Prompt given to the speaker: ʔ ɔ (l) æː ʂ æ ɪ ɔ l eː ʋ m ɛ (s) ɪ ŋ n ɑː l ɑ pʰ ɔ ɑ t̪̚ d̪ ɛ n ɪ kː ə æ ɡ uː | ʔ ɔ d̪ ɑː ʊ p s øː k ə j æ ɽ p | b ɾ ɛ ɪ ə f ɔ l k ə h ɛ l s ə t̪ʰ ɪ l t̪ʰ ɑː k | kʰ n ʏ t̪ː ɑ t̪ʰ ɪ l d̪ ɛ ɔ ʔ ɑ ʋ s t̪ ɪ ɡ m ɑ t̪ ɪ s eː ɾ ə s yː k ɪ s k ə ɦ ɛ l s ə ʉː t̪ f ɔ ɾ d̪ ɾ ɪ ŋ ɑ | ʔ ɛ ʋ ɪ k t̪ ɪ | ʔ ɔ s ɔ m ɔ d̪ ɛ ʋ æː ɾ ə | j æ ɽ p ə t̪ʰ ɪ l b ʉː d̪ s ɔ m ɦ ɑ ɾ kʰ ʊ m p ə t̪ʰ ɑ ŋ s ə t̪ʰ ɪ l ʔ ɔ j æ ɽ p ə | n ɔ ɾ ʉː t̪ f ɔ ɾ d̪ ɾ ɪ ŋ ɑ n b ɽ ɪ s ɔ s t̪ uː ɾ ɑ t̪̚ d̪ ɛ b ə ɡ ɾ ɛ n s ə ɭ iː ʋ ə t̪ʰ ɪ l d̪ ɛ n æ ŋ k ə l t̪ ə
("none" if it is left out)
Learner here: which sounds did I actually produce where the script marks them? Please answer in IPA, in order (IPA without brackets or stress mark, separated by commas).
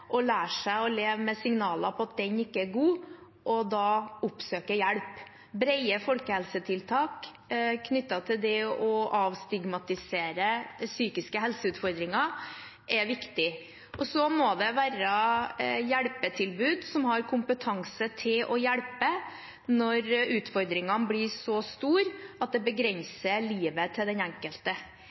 l, s